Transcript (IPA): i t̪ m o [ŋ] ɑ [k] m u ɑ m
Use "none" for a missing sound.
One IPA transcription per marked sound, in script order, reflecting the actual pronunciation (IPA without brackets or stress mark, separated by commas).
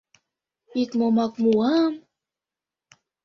m, k